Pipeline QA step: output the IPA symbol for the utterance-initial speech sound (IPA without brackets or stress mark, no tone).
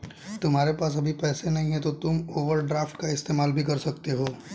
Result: t̪